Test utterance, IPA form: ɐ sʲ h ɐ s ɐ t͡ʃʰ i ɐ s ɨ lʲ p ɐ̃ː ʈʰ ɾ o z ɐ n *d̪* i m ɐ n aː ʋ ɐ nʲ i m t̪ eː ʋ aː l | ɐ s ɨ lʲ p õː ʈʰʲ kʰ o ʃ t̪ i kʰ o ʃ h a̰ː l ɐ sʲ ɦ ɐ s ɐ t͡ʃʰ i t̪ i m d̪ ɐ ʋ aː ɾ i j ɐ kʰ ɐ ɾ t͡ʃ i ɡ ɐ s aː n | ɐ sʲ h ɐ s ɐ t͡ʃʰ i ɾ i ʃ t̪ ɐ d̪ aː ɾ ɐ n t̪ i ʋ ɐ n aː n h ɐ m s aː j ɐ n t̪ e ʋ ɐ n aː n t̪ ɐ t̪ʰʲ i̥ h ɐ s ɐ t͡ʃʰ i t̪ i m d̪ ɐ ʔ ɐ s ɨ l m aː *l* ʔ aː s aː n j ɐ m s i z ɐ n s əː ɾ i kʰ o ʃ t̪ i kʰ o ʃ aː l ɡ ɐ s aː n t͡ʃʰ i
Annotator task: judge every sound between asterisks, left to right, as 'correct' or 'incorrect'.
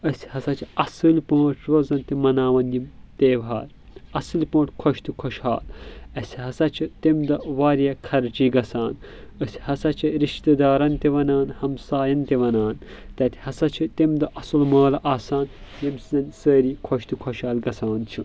incorrect, correct

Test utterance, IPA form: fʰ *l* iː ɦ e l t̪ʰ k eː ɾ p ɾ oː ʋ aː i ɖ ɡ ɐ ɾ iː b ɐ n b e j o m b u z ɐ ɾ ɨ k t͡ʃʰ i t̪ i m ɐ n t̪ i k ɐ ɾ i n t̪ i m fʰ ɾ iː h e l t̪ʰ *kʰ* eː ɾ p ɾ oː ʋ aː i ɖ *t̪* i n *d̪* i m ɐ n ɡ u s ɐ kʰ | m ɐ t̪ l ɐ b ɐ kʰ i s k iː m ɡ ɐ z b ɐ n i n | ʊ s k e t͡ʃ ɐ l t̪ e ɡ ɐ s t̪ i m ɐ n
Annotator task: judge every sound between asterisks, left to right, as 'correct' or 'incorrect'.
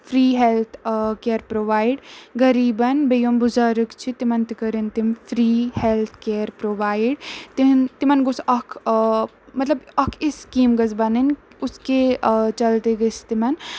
incorrect, incorrect, correct, incorrect

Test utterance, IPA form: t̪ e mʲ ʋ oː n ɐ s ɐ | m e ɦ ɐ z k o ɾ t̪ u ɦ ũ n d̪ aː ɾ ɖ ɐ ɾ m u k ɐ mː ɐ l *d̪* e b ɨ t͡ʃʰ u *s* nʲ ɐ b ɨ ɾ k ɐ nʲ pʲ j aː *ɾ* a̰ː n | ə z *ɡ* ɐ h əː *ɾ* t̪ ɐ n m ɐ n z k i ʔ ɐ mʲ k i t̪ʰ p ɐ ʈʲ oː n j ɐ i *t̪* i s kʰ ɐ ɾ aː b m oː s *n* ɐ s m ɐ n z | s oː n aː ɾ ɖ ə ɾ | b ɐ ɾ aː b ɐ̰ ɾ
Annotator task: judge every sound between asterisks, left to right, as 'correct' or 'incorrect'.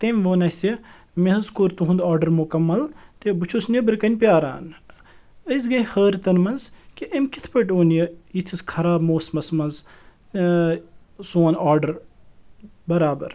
incorrect, correct, correct, correct, correct, incorrect, incorrect

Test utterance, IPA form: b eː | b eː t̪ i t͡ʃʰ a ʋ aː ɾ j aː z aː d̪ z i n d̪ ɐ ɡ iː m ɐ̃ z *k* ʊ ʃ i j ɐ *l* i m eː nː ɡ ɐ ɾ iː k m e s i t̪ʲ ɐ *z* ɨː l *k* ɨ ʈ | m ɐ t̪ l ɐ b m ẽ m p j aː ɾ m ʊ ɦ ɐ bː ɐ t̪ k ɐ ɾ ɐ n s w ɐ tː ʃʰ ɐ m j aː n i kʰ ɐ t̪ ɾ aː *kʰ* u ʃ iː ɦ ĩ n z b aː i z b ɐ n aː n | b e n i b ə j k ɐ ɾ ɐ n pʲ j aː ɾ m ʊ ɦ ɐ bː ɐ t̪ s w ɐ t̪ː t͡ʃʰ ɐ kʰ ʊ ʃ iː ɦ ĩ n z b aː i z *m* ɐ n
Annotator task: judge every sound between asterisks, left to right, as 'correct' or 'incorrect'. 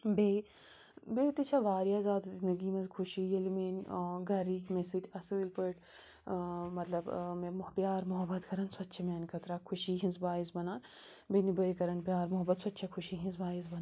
incorrect, correct, incorrect, incorrect, correct, incorrect

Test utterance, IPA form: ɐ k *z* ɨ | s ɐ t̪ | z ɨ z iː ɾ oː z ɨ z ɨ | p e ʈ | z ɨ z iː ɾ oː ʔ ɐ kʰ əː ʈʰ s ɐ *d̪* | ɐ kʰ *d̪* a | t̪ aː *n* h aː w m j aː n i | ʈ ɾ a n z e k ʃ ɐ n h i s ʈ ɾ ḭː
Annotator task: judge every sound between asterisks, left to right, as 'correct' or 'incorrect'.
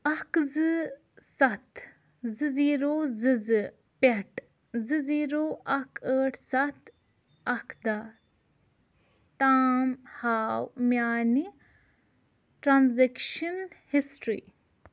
correct, incorrect, correct, incorrect

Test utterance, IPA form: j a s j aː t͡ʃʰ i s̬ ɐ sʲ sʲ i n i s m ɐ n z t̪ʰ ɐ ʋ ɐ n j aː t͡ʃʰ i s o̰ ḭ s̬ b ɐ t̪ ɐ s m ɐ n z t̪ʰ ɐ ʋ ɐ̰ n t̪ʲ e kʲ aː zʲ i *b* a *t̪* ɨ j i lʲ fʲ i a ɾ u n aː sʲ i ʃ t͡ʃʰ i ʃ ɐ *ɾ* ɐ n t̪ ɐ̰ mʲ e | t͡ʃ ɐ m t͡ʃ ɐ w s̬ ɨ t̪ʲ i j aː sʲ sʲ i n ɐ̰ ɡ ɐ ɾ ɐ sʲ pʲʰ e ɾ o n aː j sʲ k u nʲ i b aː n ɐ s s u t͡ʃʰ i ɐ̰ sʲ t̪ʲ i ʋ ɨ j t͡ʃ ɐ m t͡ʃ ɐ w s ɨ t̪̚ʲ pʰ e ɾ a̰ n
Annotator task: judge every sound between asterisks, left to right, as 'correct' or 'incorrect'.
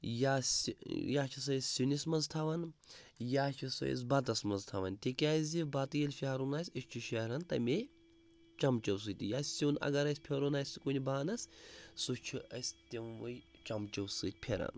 correct, correct, correct

